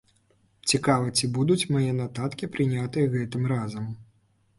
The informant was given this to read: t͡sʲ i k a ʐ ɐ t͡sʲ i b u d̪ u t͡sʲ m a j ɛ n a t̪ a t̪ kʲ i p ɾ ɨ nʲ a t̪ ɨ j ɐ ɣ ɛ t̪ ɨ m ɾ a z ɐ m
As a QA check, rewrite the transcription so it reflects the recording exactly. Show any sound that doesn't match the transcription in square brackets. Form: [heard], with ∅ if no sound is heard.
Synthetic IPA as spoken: t͡sʲ i k a [v] ɐ t͡sʲ i b u d̪ u t͡sʲ m a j ɛ n a t̪ a t̪ kʲ i p ɾ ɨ nʲ a t̪ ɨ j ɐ ɣ ɛ t̪ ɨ m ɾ a z ɐ m

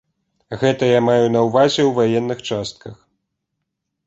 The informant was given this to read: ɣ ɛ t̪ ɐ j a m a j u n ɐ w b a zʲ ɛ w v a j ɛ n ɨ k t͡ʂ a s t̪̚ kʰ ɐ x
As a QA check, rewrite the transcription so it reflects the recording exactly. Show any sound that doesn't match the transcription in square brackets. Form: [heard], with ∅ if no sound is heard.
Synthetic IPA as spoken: ɣ ɛ t̪ ɐ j a m a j u n ɐ w [v] a zʲ ɛ w v a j ɛ [nː] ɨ [x] t͡ʂ a s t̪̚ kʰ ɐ x

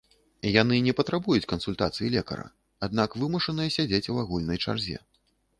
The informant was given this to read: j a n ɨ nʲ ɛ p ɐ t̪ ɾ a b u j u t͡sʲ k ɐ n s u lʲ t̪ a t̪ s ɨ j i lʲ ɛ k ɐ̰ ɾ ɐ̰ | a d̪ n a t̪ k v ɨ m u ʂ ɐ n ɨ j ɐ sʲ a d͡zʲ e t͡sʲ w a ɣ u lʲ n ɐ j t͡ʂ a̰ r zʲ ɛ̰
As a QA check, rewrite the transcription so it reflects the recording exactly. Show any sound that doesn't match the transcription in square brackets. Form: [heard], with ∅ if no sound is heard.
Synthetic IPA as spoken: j a n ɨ nʲ ɛ p ɐ t̪ ɾ a b u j u t͡sʲ k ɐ n s u lʲ t̪ a t̪ s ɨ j i lʲ ɛ k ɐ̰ ɾ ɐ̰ | a d̪ n a [∅] k v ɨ m u ʂ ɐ n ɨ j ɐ sʲ a d͡zʲ e t͡sʲ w a ɣ u lʲ n ɐ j t͡ʂ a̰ r zʲ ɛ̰

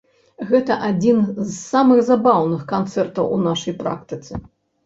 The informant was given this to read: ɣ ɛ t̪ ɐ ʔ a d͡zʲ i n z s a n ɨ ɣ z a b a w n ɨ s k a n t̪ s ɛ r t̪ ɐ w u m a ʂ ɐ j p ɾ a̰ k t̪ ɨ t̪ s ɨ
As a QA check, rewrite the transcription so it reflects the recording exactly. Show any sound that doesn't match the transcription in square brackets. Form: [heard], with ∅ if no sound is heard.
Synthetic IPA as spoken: ɣ ɛ t̪ ɐ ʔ a d͡zʲ i n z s a [m] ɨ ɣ z a b a w n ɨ [x] k a n t̪ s ɛ r t̪ ɐ w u [n] a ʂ ɐ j p ɾ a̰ k t̪ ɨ t̪ s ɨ

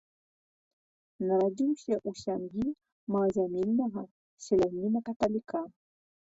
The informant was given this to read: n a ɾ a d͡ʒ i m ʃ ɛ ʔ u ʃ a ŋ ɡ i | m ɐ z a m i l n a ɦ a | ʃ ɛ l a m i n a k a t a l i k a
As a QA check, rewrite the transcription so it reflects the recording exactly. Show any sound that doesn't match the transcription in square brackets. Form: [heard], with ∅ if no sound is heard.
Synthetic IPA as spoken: n a ɾ a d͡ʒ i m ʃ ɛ ʔ u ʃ a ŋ ɡ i | m [a] z a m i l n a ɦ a | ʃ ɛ l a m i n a k a t a l i k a

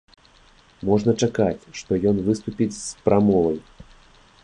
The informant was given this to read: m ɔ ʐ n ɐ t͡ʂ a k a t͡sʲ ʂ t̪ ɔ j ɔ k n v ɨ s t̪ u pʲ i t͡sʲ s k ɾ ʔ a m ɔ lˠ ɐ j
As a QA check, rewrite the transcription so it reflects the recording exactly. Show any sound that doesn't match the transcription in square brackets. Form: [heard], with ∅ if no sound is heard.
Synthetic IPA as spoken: m ɔ ʐ n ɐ t͡ʂ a k a t͡sʲ ʂ t̪ ɔ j ɔ [∅] n v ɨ s t̪ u pʲ i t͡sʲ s [p] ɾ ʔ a m ɔ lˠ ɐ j

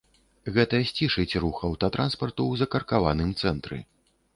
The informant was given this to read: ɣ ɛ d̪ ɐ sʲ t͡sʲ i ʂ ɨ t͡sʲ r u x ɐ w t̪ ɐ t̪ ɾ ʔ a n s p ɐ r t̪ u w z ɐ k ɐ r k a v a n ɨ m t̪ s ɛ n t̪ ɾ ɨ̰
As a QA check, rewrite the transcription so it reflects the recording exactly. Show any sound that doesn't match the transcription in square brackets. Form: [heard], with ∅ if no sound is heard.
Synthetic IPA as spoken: ɣ ɛ [t̪] ɐ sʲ t͡sʲ i ʂ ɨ t͡sʲ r u x ɐ w t̪ ɐ t̪ ɾ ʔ a n s p ɐ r t̪ u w z ɐ k ɐ r k a v a n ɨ m t̪ s ɛ n t̪ ɾ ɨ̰

